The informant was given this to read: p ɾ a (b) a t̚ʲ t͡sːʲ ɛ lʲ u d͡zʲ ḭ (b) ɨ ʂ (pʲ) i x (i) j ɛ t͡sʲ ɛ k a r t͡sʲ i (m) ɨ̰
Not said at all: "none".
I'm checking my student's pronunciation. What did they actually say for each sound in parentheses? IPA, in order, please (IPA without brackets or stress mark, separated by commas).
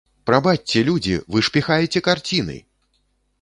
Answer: b, v, pʲ, a, n